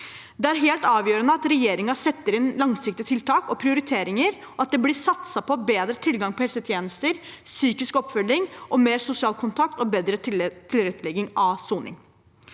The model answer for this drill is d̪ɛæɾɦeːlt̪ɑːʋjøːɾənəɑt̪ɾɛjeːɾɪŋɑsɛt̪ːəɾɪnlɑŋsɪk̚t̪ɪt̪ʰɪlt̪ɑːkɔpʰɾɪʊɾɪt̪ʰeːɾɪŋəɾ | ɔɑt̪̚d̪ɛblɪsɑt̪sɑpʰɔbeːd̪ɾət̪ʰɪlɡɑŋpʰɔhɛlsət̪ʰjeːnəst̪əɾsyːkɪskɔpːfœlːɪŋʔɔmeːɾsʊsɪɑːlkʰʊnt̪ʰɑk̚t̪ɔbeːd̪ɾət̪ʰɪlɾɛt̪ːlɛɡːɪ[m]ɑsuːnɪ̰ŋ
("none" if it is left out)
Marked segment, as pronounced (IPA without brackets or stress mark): ŋ